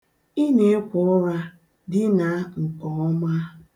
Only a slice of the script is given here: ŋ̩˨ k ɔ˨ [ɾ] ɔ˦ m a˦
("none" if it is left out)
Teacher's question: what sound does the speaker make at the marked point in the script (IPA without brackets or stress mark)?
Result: none